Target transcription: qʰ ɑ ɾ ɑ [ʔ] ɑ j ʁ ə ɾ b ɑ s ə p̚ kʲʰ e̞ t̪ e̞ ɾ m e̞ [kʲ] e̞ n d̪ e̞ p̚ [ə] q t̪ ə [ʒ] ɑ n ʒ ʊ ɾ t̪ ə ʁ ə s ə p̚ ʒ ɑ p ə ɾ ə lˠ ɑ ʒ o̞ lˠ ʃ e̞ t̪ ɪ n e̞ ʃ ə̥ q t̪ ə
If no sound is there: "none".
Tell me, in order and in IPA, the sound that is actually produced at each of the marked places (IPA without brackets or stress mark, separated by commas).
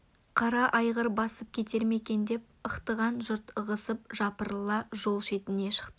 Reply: ʔ, kʲ, ə, ʁ